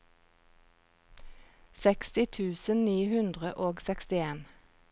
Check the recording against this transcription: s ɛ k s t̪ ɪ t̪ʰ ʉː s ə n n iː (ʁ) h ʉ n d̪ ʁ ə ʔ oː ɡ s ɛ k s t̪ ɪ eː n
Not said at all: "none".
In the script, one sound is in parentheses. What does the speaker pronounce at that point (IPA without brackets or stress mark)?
none